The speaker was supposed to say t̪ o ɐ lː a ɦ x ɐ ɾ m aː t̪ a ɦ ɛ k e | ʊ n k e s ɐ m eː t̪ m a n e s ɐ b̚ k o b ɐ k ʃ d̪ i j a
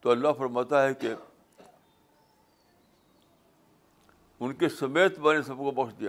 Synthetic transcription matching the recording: t̪ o ɐ lː a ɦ f ɐ ɾ m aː t̪ a ɦ ɛ k e | ʊ n k e s ɐ m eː t̪ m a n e s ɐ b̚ k o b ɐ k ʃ d̪ i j a